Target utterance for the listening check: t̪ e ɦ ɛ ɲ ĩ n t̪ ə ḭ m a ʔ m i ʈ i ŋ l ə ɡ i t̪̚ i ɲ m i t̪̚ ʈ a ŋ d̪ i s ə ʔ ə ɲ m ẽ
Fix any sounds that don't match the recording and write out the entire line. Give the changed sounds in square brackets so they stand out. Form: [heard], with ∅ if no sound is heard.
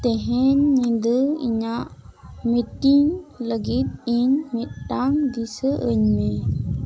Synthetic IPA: t̪ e ɦ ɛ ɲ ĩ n [d̪] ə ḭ [ɲ] a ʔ m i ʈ i ŋ l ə ɡ i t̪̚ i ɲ m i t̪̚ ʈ a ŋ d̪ i s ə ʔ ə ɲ m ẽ